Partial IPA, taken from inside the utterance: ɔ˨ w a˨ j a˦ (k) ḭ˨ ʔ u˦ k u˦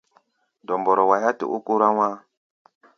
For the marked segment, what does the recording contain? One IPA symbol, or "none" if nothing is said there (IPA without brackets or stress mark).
t